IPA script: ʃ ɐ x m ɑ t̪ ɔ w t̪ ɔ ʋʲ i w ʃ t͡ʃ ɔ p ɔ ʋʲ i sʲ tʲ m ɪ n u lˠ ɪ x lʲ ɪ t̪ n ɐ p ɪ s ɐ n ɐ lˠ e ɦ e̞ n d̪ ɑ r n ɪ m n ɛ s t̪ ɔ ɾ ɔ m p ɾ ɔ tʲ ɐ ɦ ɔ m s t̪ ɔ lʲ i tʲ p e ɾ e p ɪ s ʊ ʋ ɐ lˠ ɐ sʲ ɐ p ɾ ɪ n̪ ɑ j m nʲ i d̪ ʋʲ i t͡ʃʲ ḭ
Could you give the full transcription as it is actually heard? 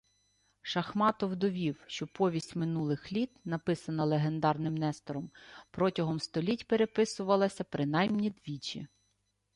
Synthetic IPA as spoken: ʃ ɐ x m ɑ t̪ ɔ w d̪ ɔ ʋʲ i w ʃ t͡ʃ ɔ p ɔ ʋʲ i sʲ tʲ m ɪ n u lˠ ɪ x lʲ i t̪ n ɐ p ɪ s ɐ n ɐ lˠ e ɦ e̞ n d̪ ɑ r n ɪ m n ɛ s t̪ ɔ ɾ ɔ m p ɾ ɔ tʲ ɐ ɦ ɔ m s t̪ ɔ lʲ i tʲ p e ɾ e p ɪ s ʊ ʋ ɐ lˠ ɐ sʲ ɐ p ɾ ɪ n̪ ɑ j m nʲ i d̪ ʋʲ i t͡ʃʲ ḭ